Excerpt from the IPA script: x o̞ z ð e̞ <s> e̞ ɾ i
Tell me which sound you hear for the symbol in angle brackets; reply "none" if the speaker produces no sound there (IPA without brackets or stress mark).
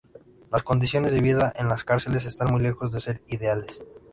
s